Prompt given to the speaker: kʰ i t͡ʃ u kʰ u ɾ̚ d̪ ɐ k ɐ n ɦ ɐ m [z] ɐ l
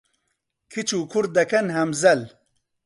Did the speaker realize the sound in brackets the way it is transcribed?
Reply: yes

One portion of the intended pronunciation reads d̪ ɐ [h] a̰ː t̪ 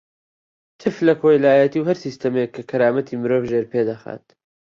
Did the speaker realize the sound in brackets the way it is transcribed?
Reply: no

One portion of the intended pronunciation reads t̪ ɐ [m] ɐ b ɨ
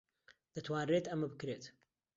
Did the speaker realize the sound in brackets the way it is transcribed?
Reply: yes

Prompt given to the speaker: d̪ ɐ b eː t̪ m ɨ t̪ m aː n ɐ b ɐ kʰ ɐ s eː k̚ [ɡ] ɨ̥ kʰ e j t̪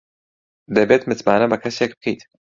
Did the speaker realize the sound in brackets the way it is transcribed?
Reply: no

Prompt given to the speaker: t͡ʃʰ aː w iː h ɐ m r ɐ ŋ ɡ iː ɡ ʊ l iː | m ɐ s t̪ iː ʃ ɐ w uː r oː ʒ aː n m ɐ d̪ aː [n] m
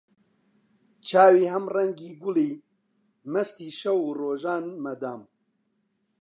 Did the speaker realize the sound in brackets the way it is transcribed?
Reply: no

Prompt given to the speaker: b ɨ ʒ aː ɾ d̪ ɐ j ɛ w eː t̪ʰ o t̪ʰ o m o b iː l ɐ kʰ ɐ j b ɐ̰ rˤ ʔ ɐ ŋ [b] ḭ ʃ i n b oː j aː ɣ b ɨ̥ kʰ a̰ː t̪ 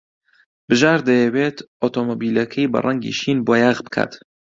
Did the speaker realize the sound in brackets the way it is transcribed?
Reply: no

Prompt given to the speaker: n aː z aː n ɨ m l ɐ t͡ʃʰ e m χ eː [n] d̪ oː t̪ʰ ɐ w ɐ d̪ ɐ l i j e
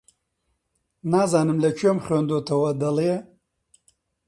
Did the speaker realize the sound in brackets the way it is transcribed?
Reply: yes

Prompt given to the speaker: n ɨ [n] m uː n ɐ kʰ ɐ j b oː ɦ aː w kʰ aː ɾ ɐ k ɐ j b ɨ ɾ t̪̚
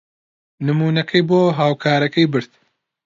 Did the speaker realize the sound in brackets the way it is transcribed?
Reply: no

